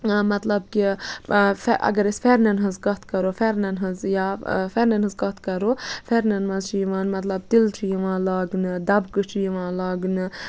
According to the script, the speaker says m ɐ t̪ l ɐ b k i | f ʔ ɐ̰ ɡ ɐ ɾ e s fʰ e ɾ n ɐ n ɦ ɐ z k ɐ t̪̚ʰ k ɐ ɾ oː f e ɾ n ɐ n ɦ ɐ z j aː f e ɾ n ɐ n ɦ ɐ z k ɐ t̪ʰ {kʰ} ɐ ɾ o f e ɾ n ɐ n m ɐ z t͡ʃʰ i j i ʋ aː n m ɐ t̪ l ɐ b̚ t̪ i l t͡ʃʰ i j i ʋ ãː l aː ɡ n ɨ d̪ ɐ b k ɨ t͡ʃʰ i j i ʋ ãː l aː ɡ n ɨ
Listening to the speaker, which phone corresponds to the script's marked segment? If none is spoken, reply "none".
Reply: k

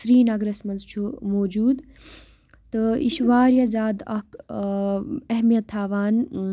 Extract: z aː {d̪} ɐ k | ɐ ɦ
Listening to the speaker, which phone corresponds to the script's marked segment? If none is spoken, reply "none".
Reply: d̪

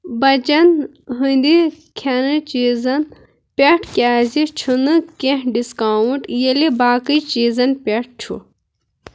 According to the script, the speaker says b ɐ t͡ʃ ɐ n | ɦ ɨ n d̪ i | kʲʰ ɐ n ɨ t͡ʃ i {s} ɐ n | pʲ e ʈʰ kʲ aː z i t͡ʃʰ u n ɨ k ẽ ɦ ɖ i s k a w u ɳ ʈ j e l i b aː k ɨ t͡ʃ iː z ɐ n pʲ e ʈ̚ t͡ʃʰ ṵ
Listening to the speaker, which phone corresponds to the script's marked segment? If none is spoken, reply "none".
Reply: z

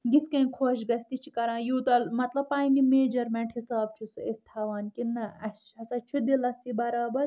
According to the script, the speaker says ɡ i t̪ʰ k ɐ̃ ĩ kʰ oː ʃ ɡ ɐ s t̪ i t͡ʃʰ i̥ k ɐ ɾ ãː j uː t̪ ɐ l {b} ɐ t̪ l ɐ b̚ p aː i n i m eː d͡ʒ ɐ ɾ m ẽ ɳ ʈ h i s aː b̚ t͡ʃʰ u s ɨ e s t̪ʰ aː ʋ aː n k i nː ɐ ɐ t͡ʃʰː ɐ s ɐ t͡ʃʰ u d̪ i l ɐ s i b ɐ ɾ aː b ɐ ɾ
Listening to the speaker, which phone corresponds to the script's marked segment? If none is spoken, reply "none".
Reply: m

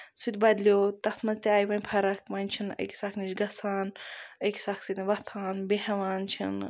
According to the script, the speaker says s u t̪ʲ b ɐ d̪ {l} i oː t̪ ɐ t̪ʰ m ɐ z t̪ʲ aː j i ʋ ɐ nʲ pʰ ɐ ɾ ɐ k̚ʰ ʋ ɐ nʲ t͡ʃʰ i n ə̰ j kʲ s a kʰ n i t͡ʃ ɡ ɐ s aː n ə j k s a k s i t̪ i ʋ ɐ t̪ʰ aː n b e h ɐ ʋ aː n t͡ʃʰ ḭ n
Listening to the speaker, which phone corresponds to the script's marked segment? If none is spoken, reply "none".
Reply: l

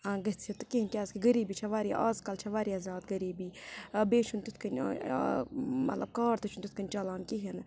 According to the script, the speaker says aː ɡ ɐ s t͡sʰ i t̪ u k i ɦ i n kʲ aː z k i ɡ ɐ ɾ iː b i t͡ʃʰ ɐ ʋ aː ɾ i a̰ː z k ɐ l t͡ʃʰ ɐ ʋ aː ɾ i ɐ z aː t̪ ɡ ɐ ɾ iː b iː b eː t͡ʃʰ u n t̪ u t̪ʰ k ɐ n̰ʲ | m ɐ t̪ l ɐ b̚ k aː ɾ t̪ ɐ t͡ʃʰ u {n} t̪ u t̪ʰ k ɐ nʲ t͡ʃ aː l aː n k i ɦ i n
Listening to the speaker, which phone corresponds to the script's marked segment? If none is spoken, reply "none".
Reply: n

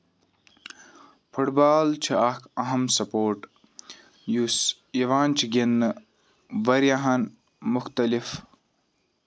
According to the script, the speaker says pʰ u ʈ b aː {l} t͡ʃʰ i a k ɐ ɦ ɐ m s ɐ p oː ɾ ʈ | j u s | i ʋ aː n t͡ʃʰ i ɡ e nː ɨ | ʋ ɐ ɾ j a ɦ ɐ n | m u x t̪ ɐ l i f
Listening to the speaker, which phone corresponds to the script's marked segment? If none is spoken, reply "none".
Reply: l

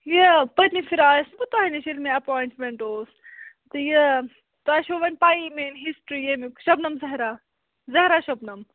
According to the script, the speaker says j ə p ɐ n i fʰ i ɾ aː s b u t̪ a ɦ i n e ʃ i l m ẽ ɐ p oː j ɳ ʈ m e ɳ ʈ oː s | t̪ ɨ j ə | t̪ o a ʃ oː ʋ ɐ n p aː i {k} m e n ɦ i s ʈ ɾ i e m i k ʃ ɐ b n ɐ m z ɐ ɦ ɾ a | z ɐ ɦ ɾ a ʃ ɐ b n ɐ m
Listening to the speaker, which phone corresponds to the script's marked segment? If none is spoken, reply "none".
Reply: none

